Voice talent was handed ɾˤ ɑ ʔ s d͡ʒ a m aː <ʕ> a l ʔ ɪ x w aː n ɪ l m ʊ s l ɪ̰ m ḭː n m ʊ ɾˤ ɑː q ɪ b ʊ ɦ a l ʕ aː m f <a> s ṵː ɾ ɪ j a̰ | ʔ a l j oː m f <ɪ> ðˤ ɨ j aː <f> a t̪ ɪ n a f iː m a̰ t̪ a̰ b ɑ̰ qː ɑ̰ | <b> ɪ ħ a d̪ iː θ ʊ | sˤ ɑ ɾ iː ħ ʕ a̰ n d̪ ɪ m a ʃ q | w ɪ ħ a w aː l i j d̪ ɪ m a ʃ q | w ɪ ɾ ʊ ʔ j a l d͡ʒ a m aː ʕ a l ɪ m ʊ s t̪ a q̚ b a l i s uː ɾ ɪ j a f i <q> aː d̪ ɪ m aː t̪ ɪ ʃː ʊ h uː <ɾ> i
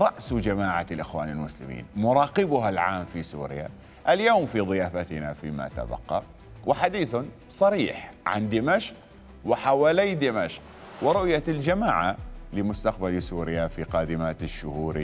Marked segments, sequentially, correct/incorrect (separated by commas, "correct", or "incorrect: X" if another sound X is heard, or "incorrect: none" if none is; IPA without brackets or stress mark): correct, incorrect: i, incorrect: i, correct, incorrect: w, correct, correct